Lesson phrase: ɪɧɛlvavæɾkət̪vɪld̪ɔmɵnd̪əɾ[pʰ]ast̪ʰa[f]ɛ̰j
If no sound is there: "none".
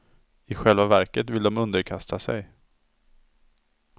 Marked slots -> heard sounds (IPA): kʰ, s

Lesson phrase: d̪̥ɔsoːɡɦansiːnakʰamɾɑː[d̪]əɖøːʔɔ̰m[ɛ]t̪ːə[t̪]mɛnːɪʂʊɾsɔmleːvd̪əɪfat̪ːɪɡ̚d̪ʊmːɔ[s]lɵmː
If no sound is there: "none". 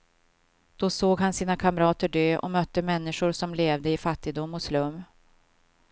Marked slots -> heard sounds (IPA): t̪, œ, none, s

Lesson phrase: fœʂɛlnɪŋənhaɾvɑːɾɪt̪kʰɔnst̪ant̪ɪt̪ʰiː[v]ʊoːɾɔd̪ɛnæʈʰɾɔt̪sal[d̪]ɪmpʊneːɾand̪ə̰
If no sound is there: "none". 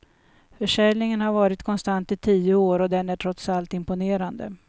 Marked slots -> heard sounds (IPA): none, t̪

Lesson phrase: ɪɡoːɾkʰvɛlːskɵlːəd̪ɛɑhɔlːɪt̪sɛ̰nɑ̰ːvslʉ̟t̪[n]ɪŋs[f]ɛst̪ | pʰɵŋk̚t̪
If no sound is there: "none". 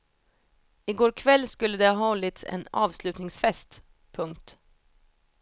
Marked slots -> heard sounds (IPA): n, f

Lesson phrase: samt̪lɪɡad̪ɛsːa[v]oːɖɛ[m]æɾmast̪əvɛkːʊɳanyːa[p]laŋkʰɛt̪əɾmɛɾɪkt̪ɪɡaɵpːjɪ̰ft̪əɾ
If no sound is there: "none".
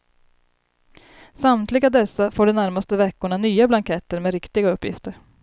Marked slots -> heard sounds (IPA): f, n, b

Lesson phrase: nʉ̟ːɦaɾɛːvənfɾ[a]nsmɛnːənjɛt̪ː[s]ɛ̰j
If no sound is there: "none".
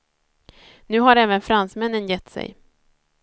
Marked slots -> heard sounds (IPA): a, s

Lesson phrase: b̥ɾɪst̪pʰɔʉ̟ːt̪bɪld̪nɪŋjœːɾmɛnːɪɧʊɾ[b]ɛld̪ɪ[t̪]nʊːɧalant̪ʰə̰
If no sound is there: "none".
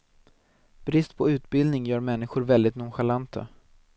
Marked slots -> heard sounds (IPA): v, t̪

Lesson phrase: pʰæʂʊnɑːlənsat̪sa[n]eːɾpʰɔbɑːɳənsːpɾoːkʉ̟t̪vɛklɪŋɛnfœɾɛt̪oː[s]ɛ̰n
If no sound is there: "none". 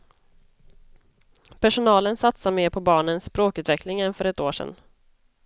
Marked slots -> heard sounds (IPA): m, ʂ

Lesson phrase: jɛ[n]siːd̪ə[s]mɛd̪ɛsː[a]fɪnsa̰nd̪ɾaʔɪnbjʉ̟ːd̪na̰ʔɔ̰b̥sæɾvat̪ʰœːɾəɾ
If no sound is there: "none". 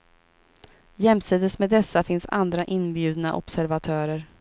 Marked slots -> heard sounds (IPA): m, s, a

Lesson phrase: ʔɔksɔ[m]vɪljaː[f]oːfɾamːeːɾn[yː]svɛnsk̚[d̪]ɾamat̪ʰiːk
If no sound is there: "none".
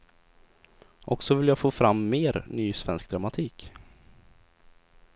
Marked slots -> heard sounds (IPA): none, f, yː, d̪

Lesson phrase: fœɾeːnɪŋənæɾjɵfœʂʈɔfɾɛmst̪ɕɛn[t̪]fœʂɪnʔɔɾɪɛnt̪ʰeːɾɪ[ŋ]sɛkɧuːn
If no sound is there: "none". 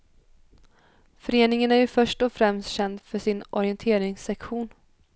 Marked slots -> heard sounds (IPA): d̪, ŋ

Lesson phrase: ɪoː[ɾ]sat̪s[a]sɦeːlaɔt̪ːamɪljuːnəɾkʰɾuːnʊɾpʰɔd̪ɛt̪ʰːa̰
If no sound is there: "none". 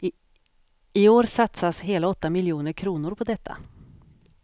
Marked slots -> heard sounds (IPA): ɾ, a

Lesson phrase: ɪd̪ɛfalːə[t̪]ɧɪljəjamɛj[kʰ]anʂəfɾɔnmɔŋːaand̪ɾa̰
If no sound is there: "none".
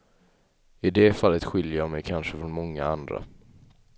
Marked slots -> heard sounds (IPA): t̪, kʰ

